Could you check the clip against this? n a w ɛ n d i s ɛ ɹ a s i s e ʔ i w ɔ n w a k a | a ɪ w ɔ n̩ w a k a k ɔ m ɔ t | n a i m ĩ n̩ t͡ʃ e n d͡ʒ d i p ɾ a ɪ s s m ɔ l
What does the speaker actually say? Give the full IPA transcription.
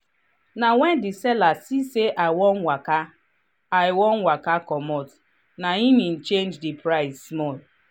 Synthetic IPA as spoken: n a w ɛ n d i s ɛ l a s i s e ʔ a w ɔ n w a k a | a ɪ w ɔ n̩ w a k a k ɔ m ɔ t | n a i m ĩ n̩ t͡ʃ e n d͡ʒ d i p ɾ a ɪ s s m ɔ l

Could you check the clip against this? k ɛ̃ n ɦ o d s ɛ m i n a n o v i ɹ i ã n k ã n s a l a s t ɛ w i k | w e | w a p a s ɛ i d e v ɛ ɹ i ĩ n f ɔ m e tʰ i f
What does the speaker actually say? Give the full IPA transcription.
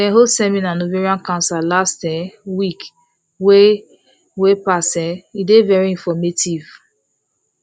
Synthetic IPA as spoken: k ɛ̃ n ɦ o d s ɛ m i n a n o v i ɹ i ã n k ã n s a l a s t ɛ w i k | w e | w e p a s ɛ i d e v ɛ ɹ i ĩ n f ɔ m e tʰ i v

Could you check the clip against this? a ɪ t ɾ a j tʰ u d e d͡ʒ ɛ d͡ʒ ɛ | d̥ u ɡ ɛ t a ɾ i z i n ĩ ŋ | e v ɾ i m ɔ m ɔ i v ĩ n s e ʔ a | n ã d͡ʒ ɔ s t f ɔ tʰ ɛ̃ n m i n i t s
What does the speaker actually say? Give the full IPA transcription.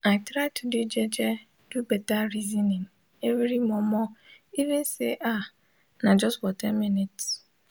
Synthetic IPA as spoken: a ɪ t ɾ a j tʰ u d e d͡ʒ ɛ d͡ʒ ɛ | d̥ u b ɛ t a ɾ i z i n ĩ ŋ | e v ɾ i m ɔ m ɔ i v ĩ n s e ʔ a | n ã d͡ʒ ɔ s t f ɔ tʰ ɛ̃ n m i n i t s

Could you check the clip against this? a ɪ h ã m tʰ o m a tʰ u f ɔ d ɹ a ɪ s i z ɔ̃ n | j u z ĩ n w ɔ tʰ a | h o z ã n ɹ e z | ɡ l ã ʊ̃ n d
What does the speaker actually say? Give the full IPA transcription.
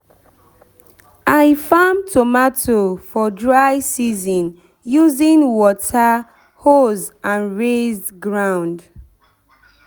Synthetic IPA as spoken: a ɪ f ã m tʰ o m a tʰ o f ɔ d ɹ a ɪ s i z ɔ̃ n | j u z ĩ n w ɔ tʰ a | h o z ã n ɹ e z | ɡ ɹ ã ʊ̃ n d

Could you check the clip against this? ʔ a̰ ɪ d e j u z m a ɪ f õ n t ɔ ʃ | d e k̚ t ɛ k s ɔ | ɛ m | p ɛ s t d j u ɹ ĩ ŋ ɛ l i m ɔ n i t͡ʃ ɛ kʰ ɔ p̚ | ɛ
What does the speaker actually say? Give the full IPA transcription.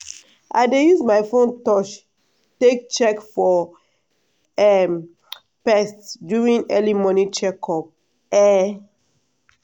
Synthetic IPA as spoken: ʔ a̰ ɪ d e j u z m a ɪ f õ n t ɔ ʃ | t e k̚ t͡ʃ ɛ k f ɔ | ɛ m | p ɛ s t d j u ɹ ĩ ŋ ɛ l i m ɔ n i t͡ʃ ɛ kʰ ɔ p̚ | ɛ

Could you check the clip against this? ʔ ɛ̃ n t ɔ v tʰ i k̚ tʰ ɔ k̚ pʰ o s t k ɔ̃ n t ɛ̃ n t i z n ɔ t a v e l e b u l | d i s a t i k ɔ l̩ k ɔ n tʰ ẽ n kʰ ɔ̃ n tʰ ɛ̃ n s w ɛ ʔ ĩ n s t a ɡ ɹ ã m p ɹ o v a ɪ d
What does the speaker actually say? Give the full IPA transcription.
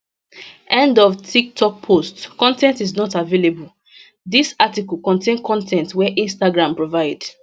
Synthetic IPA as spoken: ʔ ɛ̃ n d ɔ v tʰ i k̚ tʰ ɔ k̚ pʰ o s t k ɔ̃ n t ɛ̃ n t i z n ɔ t a v e l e b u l | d i s a t i k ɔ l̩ k ɔ̃ n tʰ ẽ n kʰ ɔ̃ n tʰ ɛ̃ n t w ɛ ʔ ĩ n s t a ɡ ɹ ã m p ɹ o v a ɪ d

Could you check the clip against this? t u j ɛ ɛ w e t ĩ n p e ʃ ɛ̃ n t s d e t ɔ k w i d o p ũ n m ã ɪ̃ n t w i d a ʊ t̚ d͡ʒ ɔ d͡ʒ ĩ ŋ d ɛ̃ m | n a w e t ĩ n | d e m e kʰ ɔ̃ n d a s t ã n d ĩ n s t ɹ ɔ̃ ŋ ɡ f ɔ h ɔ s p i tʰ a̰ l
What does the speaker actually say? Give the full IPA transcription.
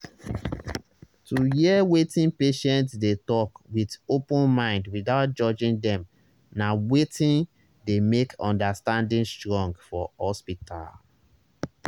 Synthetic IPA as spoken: t u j i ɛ w e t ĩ n p e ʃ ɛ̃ n t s d e t ɔ k w i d o p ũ n m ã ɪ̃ n d w i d a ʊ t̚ d͡ʒ ɔ d͡ʒ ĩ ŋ d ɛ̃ m | n a w e t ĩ n | d e m e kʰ ɔ̃ n d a s t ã n d ĩ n s t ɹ ɔ̃ ŋ ɡ f ɔ h ɔ s p i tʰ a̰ l

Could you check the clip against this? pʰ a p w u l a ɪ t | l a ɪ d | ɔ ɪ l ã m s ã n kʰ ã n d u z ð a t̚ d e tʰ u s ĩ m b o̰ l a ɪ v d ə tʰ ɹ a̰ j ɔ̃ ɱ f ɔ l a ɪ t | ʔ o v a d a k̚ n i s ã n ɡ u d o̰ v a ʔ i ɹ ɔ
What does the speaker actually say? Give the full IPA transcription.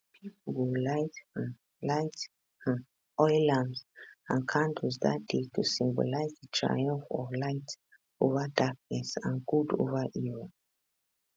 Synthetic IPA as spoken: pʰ i p w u l a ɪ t | l a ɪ t | ɔ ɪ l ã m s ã n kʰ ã n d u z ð a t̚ d e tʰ u s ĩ m b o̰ l a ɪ z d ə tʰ ɹ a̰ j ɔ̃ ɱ f ɔ l a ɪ t | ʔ o v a d a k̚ n ɛ s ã n ɡ u d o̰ v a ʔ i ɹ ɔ

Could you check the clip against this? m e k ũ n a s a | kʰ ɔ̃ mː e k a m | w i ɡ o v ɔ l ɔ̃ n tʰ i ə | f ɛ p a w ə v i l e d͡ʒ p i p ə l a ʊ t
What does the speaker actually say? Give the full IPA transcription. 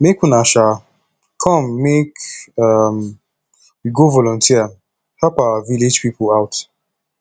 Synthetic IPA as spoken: m e k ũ n a ʃ a | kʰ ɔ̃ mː e k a m | w i ɡ o v ɔ l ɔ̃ n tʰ i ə | h ɛ p a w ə v i l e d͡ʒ p i p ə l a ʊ t

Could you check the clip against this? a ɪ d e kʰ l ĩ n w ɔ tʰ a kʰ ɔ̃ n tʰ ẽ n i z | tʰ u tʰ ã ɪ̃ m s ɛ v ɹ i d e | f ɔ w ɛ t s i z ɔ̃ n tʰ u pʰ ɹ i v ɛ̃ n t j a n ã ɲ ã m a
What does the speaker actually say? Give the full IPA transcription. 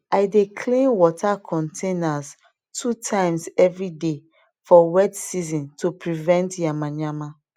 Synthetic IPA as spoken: a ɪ d e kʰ l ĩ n w ɔ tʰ a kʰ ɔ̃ n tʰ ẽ n a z | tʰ u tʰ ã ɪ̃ m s ɛ v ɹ i d e | f ɔ w ɛ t s i z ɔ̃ n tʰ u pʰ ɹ i v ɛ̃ n t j a m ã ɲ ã m a

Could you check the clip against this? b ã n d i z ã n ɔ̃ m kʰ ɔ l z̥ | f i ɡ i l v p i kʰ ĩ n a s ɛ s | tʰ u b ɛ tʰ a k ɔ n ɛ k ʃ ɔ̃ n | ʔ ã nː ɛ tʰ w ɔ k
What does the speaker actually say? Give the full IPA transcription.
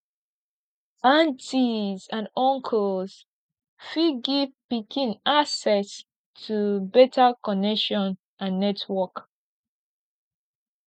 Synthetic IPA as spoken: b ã n t i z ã n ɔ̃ ŋ kʰ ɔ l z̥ | f i ɡ i v p i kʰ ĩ n a s ɛ s | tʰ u b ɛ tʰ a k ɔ n ɛ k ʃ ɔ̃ n | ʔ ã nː ɛ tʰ w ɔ k

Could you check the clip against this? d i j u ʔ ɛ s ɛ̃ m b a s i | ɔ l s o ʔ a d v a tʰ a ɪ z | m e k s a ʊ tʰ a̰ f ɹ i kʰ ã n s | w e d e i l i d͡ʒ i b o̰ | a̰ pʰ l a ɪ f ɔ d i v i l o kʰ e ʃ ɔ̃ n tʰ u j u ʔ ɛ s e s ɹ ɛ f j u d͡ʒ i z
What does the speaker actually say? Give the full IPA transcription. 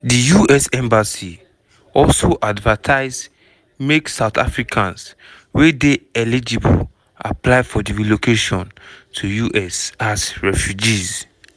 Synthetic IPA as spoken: d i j u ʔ ɛ s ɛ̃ m b a s i | ɔ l s o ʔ a d v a tʰ a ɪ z | m e k s a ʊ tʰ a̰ f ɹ i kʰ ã n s | w e d e ɛ l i d͡ʒ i b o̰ | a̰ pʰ l a ɪ f ɔ d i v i l o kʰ e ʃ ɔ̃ n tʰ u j u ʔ ɛ s a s ɹ ɛ f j u d͡ʒ i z

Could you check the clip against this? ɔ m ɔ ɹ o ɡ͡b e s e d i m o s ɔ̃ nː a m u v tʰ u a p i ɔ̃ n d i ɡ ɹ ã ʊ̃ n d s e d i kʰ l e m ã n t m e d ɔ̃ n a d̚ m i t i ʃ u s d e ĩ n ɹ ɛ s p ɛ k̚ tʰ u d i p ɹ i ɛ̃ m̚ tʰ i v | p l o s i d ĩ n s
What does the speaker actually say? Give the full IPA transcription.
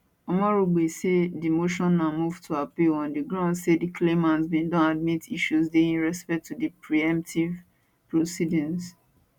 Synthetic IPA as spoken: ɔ m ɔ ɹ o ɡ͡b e s e d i m o ʃ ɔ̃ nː a m u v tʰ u a p i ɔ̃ n d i ɡ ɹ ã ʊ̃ n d s e d i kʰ l e m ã n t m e d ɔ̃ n a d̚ m i t i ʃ u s d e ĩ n ɹ ɛ s p ɛ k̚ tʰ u d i p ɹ i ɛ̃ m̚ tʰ i v | p ɹ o s i d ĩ n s

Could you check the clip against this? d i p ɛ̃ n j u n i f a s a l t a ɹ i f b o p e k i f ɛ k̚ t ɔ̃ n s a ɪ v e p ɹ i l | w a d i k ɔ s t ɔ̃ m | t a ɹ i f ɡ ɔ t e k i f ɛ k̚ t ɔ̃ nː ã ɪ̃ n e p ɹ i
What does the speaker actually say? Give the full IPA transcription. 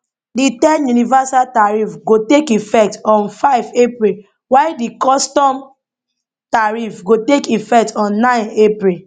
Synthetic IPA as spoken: d i t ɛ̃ n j u n i v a s a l t a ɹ i f ɡ o t e k i f ɛ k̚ t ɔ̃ n f a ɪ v e p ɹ i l | w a d i k ɔ s t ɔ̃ m | t a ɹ i f ɡ o t e k i f ɛ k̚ t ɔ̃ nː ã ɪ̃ n e p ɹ i

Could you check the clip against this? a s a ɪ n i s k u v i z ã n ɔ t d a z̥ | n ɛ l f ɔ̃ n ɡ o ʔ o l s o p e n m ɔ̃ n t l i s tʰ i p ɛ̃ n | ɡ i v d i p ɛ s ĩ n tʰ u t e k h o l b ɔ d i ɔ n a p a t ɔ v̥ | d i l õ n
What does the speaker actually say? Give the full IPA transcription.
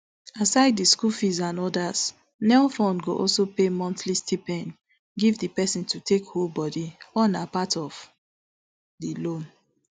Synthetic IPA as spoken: a s a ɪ d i s k u f i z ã n ɔ d a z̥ | n ɛ l f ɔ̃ n ɡ o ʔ ɔ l s o p e m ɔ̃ n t l i s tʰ i p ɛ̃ n | ɡ i v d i p ɛ s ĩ n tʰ u t e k h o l b ɔ d i ɔ n a p a t ɔ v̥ | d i l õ n

